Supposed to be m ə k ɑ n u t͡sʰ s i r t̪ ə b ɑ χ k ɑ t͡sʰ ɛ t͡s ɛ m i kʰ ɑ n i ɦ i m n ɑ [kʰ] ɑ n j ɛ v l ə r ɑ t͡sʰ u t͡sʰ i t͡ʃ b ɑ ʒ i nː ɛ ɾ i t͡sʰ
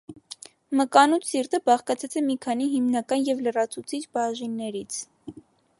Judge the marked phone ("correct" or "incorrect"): incorrect